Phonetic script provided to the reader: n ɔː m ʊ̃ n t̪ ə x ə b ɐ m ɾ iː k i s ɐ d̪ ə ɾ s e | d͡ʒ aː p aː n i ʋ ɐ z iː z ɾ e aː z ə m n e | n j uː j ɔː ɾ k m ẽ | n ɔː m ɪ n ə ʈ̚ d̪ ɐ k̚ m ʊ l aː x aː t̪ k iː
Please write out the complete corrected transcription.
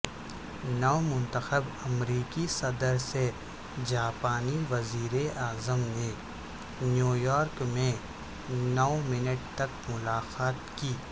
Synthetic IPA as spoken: n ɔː m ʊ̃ n t̪ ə x ə b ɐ m ɾ iː k i s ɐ d̪ ə ɾ s e | d͡ʒ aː p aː n i ʋ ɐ z iː ɾ e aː z ə m n e | n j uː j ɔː ɾ k m ẽ | n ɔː m ɪ n ə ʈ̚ t̪ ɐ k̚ m ʊ l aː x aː t̪ k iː